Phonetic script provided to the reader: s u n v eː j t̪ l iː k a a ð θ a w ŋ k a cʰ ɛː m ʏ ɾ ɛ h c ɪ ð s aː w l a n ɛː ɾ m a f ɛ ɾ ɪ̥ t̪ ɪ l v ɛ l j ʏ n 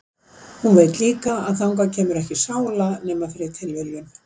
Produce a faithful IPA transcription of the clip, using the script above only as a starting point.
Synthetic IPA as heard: h u n v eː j t̪ l iː k a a ð θ a w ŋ k a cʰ ɛː m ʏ ɾ ɛ h c ɪ s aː w l a n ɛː m a f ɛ ɾ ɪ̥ t̪ʰ ɪ l v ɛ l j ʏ n